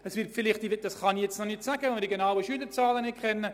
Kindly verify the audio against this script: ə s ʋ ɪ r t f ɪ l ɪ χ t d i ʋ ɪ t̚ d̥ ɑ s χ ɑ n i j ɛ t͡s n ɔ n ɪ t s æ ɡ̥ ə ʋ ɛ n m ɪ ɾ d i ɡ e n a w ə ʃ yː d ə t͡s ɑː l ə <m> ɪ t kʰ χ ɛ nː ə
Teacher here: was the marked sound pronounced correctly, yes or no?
no